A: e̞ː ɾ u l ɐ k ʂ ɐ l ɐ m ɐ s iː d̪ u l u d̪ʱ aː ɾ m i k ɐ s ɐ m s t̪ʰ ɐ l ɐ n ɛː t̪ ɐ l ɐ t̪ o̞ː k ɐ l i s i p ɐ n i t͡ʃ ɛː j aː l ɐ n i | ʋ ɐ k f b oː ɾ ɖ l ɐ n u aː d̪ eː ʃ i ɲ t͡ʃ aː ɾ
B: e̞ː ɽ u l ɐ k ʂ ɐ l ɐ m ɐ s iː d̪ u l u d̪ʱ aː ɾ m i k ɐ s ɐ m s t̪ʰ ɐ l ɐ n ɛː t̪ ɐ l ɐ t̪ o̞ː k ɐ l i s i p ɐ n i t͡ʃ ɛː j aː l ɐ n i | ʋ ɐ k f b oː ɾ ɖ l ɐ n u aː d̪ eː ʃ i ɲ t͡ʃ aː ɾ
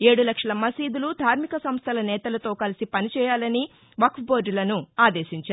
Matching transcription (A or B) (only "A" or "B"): B